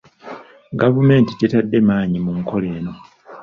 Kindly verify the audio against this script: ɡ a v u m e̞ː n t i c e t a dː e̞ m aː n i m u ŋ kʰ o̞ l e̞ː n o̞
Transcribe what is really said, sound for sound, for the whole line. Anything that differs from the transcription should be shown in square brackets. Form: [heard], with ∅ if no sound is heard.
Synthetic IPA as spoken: ɡ a v u m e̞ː n t i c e t a dː e̞ m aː [ɲ] i m u ŋ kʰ o̞ l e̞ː n o̞